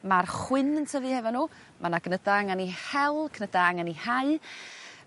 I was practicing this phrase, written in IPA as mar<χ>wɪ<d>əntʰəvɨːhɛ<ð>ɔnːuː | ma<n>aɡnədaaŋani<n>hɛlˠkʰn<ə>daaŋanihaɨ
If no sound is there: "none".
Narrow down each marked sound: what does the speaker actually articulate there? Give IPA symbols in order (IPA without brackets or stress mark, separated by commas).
χ, n, v, n, none, ə